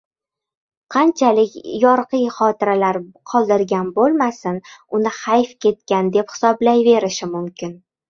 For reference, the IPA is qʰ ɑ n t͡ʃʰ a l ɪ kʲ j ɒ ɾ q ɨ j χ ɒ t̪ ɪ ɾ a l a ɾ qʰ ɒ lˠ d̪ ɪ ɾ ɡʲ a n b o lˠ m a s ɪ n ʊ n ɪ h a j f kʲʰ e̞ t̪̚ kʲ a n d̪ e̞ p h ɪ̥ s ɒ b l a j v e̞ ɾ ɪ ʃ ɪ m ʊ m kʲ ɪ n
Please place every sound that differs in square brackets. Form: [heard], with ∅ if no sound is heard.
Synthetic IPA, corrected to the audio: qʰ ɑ n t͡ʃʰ a l ɪ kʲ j ɒ ɾ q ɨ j χ ɒ t̪ ɪ ɾ a l a ɾ qʰ ɒ lˠ d̪ ɪ ɾ ɡʲ a n b o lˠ m a s ɪ n ʊ n ɪ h a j f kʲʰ e̞ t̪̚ kʲ a n d̪ e̞ p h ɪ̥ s ɒ b l a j v e̞ ɾ ɪ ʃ ɪ m ʊ m kʲ ɪ n